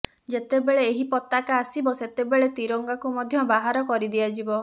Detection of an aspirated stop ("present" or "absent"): absent